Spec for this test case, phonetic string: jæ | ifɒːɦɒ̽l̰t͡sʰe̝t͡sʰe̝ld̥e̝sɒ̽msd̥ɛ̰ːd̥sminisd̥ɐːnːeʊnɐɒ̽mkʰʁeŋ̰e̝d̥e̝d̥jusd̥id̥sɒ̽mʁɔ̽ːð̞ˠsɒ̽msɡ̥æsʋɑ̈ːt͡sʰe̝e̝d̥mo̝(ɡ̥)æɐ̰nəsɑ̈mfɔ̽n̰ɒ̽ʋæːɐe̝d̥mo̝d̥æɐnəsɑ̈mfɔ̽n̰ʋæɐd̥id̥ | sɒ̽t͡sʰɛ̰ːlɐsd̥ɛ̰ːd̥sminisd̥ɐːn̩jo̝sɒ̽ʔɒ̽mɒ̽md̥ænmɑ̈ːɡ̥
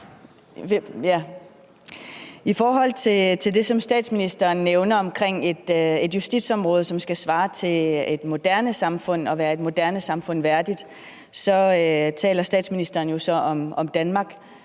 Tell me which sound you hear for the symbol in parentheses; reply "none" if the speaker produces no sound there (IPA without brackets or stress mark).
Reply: d̥